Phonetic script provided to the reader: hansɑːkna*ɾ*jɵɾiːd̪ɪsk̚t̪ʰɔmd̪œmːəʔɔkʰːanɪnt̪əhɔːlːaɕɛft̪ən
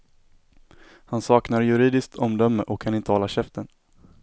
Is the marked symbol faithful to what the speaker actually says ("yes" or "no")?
yes